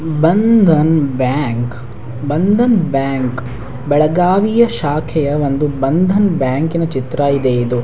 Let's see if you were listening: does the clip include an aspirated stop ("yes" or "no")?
yes